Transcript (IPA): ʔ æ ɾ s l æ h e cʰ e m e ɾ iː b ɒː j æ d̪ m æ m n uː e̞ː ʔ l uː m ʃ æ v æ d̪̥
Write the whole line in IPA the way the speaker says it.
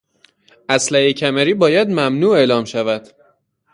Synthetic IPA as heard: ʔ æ s l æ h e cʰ æ m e ɾ iː b ɒː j æ d̪ m æ m n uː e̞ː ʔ l ɒː m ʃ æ v æ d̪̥